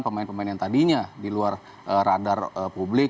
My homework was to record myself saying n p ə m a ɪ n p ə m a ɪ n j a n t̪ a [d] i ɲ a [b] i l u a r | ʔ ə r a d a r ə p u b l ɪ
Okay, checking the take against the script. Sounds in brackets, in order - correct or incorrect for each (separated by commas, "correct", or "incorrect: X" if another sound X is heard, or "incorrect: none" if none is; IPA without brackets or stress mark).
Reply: correct, incorrect: d